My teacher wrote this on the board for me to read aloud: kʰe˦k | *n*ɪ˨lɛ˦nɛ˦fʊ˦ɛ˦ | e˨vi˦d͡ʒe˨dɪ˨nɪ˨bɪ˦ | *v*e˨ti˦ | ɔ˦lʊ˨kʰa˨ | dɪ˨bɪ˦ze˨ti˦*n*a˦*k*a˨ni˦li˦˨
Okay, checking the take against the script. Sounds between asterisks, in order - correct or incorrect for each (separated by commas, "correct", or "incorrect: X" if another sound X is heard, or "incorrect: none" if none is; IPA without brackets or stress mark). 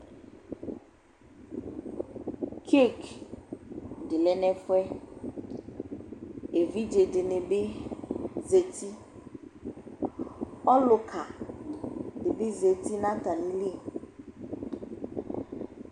incorrect: d, incorrect: z, correct, incorrect: t